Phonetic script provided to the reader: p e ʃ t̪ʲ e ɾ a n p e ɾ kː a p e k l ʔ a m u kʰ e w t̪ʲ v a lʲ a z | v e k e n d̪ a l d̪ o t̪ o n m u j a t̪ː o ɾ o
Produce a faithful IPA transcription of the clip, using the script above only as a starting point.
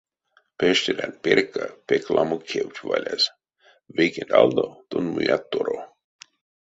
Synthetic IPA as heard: p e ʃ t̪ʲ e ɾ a n p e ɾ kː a p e k l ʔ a m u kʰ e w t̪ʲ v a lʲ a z | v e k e n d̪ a l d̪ o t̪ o n m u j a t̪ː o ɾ o